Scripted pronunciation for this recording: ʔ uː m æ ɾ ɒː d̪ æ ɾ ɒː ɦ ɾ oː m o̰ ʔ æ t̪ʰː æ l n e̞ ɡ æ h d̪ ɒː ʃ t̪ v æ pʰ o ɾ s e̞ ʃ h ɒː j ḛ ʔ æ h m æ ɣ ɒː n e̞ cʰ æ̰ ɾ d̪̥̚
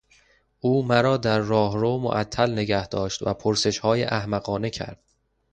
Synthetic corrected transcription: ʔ uː m æ ɾ ɒː d̪ æ ɾː ɒː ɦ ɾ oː m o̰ ʔ æ t̪ʰː æ l n e̞ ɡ æ h d̪ ɒː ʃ t̪ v æ pʰ o ɾ s e̞ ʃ h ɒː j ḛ ʔ æ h m æ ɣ ɒː n e̞ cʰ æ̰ ɾ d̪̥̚